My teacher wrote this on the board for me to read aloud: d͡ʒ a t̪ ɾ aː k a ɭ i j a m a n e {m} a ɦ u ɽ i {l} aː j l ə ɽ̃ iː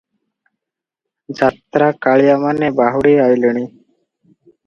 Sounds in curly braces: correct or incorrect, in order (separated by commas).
incorrect, incorrect